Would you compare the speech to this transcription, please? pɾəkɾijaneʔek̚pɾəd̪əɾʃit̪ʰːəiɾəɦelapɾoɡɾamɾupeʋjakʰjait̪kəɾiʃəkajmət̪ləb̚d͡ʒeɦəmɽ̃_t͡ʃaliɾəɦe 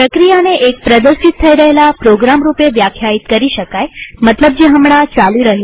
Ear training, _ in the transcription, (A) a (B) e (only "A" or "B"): A